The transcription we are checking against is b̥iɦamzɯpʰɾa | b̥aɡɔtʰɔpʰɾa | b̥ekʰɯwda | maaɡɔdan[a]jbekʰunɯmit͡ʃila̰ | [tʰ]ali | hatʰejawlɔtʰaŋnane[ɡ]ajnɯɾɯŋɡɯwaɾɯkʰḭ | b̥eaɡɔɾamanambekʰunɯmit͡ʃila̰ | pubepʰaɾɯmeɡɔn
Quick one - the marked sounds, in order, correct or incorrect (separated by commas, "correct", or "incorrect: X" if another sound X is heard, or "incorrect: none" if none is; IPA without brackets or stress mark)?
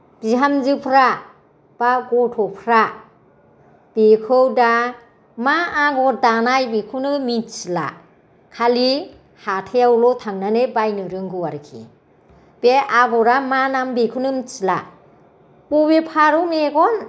correct, incorrect: kʰ, incorrect: b